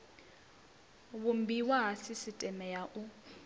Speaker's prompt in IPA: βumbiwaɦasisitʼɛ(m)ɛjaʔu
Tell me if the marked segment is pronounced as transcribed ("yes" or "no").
yes